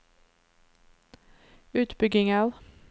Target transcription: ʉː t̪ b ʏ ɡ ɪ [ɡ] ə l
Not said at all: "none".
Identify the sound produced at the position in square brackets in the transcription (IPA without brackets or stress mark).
ŋ